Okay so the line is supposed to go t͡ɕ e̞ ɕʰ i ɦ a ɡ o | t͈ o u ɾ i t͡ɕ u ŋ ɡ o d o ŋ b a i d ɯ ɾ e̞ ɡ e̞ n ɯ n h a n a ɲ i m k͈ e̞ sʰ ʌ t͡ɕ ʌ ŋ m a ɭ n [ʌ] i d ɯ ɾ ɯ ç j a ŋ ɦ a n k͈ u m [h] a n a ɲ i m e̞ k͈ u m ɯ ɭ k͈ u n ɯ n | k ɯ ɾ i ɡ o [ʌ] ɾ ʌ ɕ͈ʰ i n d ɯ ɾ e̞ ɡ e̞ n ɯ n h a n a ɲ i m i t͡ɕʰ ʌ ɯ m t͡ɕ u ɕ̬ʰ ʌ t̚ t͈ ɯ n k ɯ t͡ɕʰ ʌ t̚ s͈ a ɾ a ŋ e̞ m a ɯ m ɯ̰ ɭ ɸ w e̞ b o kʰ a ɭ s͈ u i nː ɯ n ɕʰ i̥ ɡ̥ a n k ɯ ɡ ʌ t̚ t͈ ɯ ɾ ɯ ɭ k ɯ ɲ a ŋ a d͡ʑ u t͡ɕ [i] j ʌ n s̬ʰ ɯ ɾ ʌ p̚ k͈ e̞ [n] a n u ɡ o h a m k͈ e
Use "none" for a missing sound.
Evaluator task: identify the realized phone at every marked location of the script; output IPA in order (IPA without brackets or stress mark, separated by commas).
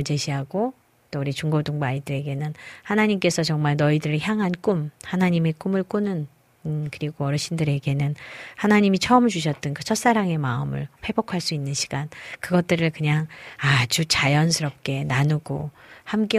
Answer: ʌ, h, ʌ, a, n